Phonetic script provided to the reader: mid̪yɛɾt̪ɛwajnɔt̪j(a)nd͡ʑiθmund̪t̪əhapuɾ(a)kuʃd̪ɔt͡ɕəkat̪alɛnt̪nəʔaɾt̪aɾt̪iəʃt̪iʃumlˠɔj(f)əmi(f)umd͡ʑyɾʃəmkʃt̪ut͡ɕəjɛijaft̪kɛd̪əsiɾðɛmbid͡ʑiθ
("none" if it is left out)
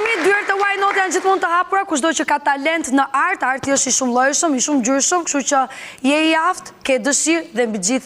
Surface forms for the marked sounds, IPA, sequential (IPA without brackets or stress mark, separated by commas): a, a, ʃ, ʃ